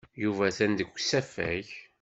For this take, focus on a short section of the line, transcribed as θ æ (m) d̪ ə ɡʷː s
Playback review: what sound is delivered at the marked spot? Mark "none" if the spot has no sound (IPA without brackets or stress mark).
n